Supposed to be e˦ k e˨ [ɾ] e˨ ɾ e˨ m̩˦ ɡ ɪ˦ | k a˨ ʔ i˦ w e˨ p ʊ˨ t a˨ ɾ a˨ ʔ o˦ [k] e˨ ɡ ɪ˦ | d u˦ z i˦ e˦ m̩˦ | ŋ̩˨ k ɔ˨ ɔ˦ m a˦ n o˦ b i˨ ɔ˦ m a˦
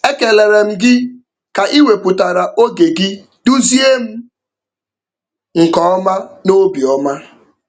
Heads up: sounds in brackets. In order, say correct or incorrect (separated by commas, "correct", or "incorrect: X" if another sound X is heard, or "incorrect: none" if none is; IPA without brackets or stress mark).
incorrect: l, incorrect: ɡ